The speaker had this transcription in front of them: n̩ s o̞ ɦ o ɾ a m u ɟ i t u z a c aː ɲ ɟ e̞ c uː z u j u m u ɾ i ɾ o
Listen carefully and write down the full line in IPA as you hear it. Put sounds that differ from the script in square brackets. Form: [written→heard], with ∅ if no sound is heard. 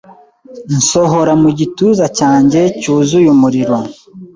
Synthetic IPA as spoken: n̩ s o̞ ɦ o ɾ a m u ɟ i t u z a c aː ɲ ɟ e̞ c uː z u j u m u ɾ i ɾ o